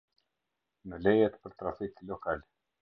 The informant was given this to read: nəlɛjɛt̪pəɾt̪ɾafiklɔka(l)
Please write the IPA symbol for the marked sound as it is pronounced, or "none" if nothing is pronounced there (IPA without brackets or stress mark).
l